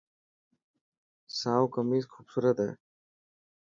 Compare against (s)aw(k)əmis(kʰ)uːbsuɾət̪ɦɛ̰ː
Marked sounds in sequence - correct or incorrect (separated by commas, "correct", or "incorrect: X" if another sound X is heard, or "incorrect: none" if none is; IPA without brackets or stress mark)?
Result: correct, correct, correct